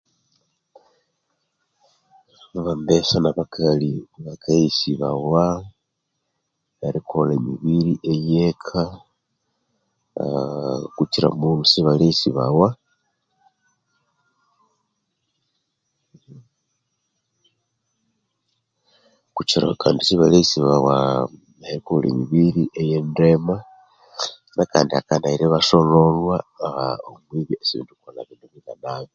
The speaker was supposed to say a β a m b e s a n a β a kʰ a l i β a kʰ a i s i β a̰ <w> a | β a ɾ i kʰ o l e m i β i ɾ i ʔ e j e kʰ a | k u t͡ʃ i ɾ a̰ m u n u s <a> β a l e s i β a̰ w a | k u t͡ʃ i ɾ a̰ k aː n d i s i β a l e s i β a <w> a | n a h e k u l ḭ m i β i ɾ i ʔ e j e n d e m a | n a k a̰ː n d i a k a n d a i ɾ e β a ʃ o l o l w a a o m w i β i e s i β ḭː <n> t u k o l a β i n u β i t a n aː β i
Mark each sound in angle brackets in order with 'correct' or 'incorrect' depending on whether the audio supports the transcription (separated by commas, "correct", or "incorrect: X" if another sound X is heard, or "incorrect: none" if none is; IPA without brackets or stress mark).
correct, incorrect: i, correct, correct